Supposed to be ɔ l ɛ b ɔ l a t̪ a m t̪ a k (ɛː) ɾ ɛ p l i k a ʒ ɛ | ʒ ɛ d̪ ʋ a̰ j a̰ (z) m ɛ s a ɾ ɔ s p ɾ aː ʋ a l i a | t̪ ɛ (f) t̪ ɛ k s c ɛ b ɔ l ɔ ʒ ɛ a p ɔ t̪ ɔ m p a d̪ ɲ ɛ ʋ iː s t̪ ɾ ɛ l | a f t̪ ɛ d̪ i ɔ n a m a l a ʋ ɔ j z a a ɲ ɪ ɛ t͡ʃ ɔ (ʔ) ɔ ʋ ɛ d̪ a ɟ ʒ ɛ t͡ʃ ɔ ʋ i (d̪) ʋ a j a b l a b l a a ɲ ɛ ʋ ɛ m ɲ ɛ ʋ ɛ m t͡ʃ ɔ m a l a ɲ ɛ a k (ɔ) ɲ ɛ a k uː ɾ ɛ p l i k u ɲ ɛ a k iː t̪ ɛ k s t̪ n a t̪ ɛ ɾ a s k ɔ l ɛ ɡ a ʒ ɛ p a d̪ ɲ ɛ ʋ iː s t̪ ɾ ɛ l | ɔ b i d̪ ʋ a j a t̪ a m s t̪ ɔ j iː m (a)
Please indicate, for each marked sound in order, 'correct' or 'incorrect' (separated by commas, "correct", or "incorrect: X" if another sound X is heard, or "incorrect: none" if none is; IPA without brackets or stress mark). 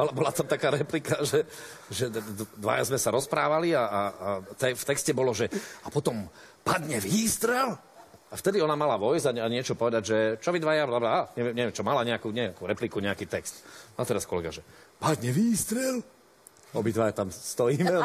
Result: incorrect: aː, correct, correct, incorrect: p, correct, incorrect: u, incorrect: ɛ